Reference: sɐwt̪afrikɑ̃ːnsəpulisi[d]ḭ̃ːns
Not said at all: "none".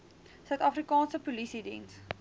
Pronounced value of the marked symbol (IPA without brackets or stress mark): d